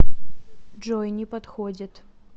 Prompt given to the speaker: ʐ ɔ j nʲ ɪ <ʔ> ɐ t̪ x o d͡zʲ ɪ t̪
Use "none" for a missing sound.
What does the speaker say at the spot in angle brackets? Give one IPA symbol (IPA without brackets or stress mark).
p